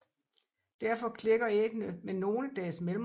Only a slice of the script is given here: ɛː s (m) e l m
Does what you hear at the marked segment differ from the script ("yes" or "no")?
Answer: no